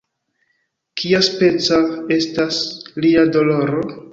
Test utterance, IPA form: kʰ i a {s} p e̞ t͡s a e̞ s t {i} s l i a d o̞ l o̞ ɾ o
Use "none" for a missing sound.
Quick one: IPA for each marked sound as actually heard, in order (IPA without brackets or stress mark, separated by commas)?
s, a